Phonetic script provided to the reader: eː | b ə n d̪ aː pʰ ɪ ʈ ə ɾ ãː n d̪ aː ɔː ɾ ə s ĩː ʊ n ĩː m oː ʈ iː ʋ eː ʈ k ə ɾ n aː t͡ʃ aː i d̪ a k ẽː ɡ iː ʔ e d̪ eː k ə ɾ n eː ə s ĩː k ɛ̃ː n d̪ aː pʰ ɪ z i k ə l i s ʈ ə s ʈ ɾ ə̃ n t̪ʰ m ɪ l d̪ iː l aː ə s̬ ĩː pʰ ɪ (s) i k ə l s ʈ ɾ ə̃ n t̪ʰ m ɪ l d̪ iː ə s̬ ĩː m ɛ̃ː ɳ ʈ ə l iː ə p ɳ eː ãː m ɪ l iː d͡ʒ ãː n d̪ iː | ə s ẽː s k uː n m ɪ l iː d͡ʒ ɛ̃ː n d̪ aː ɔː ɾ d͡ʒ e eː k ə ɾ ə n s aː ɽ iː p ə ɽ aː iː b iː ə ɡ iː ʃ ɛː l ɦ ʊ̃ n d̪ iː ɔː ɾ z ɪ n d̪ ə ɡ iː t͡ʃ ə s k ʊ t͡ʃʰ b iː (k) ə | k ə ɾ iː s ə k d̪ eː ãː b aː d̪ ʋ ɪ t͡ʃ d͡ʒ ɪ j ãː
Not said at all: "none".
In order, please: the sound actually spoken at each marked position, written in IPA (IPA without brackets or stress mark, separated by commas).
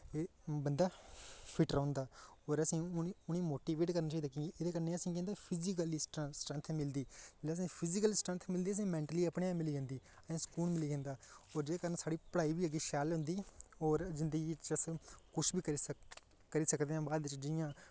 z, k